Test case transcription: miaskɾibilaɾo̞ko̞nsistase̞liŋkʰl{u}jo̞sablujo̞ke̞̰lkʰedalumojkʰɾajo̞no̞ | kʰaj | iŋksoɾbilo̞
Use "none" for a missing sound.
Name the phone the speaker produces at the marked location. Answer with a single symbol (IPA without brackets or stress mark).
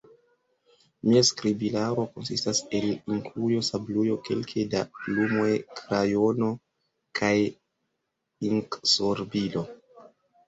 u